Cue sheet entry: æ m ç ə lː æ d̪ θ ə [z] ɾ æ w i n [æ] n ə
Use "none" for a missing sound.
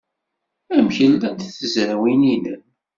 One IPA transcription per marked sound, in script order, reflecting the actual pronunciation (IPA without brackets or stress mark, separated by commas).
z, i